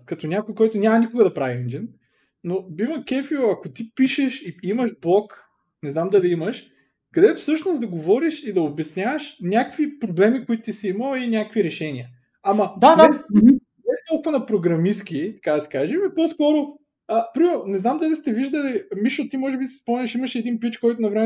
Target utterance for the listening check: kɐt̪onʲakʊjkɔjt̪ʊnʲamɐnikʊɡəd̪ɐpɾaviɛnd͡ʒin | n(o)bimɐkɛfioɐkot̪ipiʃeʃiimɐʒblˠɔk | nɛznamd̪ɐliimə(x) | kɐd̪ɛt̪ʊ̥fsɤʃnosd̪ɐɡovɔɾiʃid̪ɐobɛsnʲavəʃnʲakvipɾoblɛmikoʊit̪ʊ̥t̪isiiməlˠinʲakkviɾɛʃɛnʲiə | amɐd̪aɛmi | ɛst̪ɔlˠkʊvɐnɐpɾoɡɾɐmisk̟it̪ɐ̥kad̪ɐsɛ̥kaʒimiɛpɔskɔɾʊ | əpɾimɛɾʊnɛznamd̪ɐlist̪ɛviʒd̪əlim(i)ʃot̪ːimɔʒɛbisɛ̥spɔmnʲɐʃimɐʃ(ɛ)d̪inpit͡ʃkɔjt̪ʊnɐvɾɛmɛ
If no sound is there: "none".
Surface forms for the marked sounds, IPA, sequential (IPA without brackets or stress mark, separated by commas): o, ʃ, i, ɛ